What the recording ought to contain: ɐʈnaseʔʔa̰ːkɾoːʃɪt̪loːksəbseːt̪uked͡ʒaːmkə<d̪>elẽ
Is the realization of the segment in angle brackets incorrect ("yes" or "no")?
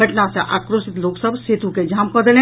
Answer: no